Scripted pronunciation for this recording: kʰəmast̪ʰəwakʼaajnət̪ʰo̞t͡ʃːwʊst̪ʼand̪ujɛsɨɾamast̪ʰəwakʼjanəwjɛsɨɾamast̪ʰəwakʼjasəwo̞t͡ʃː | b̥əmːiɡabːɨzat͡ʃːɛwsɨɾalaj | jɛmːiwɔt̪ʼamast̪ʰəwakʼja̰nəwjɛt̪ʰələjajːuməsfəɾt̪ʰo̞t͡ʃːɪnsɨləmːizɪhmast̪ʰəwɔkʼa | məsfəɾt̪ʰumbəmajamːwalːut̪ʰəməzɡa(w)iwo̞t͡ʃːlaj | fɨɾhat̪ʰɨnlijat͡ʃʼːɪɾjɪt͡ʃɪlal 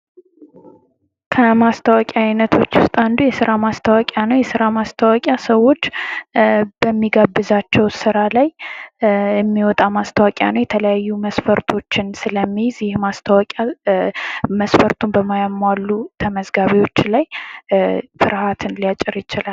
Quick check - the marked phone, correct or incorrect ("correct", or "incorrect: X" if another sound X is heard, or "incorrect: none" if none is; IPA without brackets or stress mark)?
incorrect: β